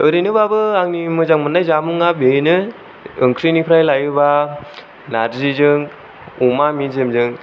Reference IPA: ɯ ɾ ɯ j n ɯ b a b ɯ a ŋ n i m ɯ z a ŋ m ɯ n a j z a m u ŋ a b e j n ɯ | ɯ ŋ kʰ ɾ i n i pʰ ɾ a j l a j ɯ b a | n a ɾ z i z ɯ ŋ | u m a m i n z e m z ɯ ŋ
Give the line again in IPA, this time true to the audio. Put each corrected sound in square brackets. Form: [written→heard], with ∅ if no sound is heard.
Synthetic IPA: ɯ ɾ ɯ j n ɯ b a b ɯ a ŋ n i m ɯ z a ŋ m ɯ n a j z a m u ŋ a b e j n ɯ | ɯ ŋ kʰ ɾ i n i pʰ ɾ a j l a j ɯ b a | n a ɾ z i z ɯ ŋ | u m a m i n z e m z ɯ ŋ